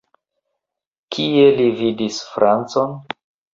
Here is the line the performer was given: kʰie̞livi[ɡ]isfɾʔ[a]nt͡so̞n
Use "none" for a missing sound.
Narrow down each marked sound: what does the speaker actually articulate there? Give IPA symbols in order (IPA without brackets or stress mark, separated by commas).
d, a